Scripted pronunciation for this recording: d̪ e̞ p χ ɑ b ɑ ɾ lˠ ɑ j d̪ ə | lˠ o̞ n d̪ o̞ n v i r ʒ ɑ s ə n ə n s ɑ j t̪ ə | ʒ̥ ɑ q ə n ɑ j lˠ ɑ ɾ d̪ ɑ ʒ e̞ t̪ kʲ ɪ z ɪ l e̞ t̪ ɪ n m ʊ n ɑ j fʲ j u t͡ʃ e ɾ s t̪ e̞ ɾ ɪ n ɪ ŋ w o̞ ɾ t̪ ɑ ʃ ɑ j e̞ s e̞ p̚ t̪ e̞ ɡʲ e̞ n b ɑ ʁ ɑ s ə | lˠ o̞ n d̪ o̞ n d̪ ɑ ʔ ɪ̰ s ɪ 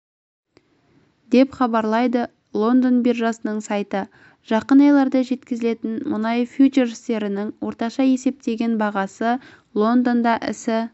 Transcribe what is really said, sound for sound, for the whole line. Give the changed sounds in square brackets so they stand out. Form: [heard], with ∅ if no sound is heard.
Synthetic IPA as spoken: d̪ e̞ p χ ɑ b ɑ ɾ lˠ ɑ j d̪ ə | lˠ o̞ n d̪ o̞ n [b] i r ʒ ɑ s ə n ə [ɴ] s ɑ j t̪ ə | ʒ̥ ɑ q ə n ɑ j lˠ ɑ ɾ d̪ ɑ ʒ e̞ t̪ kʲ ɪ z ɪ l e̞ t̪ ɪ n m ʊ n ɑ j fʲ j u t͡ʃ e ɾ s t̪ e̞ ɾ ɪ n ɪ ŋ w o̞ ɾ t̪ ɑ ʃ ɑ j e̞ s e̞ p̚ t̪ e̞ ɡʲ e̞ n b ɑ ʁ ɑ s ə | lˠ o̞ n d̪ o̞ n d̪ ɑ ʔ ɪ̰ s ɪ